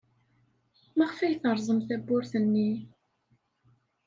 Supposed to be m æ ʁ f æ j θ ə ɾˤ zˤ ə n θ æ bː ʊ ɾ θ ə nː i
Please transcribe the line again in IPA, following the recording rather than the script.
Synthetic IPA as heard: m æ ʁ f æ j θ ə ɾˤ zˤ ə m θ æ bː ʊ ɾ θ ə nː i